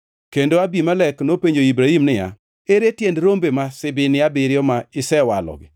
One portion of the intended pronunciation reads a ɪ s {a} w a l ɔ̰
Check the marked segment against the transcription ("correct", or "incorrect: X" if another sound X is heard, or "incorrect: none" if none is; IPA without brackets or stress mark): incorrect: ɛ